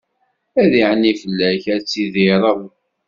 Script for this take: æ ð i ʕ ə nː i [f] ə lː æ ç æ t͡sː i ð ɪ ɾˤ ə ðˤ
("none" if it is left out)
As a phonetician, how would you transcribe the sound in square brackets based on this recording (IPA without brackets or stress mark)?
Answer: f